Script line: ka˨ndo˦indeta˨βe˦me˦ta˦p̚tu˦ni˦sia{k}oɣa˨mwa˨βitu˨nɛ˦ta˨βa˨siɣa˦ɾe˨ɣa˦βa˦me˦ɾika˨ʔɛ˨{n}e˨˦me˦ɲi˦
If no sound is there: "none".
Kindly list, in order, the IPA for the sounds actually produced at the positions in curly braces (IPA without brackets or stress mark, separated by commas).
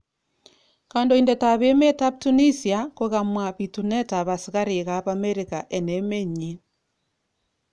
k, n